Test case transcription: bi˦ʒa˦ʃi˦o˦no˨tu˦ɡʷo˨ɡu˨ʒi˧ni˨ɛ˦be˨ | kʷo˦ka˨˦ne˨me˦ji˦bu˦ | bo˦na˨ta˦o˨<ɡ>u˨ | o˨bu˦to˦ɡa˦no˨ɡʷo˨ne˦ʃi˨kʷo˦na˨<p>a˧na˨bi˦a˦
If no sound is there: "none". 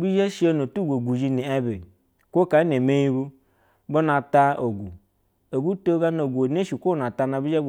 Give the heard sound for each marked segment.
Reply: ɡ, t

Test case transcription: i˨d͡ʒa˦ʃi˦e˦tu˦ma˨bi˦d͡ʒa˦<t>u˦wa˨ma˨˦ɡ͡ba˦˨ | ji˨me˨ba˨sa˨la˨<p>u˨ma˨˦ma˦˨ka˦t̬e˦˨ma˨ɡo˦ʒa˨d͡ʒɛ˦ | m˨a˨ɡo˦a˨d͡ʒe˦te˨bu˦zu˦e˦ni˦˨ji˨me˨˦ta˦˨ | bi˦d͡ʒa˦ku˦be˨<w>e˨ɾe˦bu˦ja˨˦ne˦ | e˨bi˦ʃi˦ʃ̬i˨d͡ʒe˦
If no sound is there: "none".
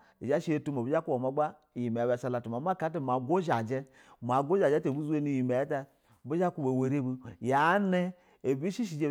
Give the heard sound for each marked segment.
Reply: k, t, w

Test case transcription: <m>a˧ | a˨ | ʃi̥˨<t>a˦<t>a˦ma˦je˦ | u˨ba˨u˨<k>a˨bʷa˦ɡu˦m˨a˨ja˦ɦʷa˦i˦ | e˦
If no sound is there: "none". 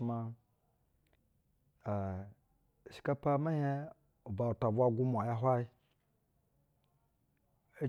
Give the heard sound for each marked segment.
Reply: m, k, p, t

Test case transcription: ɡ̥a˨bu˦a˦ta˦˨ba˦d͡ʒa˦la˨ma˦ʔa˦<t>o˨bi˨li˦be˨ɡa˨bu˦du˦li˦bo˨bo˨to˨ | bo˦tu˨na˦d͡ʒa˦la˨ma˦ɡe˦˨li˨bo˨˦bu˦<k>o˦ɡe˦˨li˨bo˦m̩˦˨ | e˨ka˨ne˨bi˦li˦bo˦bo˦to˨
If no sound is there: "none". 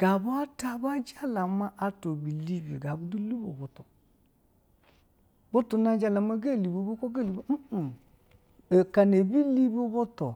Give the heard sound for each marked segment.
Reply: t, k

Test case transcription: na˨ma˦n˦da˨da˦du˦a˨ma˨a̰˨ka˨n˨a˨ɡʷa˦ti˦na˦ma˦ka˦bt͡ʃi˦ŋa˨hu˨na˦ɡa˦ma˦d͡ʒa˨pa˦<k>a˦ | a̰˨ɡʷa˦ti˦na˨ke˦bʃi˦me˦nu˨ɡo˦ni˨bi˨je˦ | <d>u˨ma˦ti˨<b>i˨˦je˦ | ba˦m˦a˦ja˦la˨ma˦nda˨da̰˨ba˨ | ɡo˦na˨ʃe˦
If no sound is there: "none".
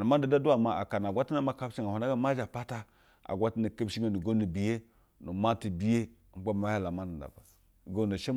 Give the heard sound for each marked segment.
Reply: t, n, b

